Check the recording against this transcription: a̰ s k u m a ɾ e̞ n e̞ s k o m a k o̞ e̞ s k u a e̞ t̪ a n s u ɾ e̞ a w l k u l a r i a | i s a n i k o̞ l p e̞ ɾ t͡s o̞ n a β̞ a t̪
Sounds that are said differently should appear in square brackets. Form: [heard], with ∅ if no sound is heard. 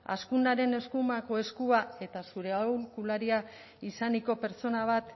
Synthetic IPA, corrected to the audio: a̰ s k u [n] a ɾ e̞ n e̞ s k [u] m a k o̞ e̞ s k u a e̞ t̪ a [∅] s u ɾ e̞ a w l k u l a [ɾ] i a | i s a n i k o̞ [∅] p e̞ ɾ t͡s o̞ n a β̞ a t̪